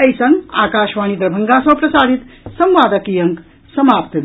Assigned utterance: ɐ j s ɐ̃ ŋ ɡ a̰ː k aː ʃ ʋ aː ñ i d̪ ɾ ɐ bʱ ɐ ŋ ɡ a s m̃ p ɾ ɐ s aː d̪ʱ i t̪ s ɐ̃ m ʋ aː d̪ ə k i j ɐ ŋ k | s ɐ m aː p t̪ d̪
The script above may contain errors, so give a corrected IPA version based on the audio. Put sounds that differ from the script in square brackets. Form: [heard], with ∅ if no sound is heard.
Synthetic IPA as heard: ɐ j s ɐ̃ ŋ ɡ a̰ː k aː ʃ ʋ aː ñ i d̪ ɾ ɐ bʱ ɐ ŋ ɡ a s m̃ p ɾ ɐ s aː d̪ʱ i t̪ s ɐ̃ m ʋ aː d̪ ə k i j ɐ ŋ k | s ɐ m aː p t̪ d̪